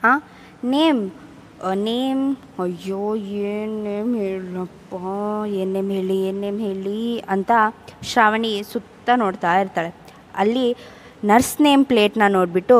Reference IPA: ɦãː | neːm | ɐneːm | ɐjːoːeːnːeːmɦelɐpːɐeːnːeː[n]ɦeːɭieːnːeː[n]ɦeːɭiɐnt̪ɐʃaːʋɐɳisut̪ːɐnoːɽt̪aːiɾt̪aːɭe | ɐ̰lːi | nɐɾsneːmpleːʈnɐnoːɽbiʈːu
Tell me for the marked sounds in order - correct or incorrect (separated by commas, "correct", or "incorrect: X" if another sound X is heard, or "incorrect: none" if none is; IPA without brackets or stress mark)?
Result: incorrect: m, incorrect: m